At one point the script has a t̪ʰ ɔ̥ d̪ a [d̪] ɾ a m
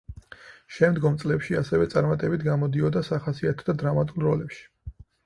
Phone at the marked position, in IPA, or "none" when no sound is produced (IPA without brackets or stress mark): d̪